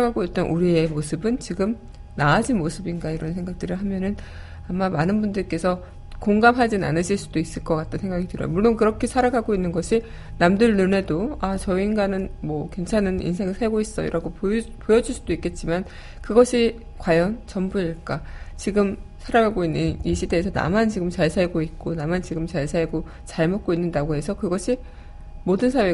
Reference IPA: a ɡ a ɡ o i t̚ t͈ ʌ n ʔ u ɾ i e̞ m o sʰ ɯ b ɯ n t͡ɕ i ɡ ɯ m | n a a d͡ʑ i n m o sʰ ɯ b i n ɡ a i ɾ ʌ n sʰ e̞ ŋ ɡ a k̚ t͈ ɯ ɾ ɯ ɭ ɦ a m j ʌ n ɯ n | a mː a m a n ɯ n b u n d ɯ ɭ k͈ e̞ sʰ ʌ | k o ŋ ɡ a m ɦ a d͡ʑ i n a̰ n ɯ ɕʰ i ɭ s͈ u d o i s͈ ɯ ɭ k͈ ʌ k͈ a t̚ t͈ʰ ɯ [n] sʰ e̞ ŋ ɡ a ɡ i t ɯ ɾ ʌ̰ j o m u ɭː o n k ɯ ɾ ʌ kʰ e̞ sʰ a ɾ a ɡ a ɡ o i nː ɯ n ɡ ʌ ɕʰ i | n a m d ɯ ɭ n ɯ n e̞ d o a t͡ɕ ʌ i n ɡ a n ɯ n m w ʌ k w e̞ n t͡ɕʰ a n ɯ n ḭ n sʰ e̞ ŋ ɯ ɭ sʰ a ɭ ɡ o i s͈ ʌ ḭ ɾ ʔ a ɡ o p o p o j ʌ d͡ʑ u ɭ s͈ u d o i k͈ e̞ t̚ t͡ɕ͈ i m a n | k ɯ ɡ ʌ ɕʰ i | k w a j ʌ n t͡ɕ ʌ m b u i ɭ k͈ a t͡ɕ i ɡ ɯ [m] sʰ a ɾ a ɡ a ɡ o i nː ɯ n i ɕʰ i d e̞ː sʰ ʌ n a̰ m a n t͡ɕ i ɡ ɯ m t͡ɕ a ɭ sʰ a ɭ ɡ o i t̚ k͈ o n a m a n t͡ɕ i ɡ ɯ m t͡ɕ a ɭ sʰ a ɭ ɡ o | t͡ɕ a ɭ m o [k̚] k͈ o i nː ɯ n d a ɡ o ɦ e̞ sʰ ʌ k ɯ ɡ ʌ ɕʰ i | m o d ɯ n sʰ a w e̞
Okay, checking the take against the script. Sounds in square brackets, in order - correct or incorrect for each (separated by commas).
correct, correct, incorrect